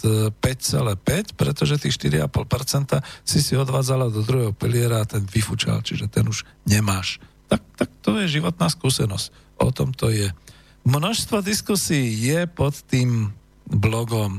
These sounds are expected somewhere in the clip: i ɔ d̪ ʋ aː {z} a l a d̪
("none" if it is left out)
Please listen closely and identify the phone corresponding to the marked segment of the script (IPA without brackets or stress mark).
d͡z